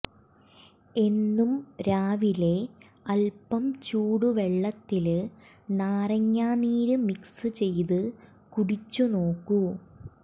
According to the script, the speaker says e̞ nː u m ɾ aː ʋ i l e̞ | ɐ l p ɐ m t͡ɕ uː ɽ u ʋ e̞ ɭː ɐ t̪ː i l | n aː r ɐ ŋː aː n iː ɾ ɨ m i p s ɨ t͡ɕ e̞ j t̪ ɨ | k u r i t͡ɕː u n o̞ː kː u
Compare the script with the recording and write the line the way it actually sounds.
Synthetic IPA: e̞ nː u m ɾ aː ʋ i l e̞ | ɐ l p ɐ m t͡ɕ uː ɽ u ʋ e̞ ɭː ɐ t̪ː i l | n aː r ɐ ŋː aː n iː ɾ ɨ m i k s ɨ t͡ɕ e̞ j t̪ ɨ | k u ɽ i t͡ɕː u n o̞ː kː u